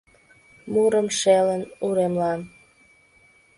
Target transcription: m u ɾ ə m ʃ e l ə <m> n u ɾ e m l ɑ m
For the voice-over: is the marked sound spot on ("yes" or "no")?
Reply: no